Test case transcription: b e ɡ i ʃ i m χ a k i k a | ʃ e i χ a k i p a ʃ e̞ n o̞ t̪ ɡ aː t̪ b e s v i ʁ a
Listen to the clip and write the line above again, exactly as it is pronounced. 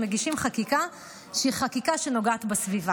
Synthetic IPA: m e ɡ i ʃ i m χ a k i k a | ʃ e i χ a k i k a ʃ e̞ n o̞ ɡ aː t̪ b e s v i v a